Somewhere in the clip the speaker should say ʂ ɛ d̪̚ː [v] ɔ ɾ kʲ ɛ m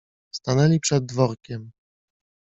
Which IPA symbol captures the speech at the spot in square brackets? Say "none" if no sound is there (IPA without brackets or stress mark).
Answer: v